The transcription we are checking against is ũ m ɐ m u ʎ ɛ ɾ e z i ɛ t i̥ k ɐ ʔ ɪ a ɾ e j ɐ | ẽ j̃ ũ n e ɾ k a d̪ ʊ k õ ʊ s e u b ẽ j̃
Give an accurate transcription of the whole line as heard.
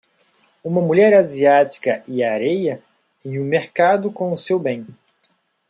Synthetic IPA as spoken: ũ m ɐ m u ʎ ɛ ɾ a z i a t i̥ k ɐ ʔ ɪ a ɾ e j ɐ | ẽ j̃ ũ m e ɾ k a d̪ ʊ k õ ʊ s e w b ẽ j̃